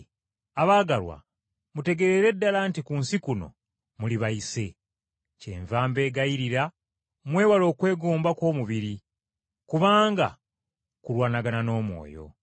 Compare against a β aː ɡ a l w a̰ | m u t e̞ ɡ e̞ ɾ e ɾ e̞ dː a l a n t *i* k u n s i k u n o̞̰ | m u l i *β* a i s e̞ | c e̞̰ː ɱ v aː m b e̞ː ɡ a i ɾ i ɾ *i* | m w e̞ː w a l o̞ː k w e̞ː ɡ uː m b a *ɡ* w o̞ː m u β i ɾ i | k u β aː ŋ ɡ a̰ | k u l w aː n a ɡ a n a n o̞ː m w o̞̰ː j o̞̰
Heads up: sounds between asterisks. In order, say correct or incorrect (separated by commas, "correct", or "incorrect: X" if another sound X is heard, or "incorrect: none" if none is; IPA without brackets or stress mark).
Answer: correct, correct, incorrect: a, incorrect: k